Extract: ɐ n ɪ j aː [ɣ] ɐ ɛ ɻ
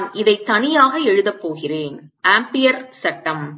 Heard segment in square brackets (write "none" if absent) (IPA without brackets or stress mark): ɣ